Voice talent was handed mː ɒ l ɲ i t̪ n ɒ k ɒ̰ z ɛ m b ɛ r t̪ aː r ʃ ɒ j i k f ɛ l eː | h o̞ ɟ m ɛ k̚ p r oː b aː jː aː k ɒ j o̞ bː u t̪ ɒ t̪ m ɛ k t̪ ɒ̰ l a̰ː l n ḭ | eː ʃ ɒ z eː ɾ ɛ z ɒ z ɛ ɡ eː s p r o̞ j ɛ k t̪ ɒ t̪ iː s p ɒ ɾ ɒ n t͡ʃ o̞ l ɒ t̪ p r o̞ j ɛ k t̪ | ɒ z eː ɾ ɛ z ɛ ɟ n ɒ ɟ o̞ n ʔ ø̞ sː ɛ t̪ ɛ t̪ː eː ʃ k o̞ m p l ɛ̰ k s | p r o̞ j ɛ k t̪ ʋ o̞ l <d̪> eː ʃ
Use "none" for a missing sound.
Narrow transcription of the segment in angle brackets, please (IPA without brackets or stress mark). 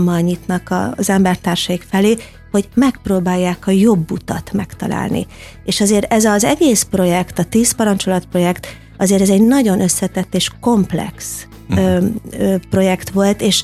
t̪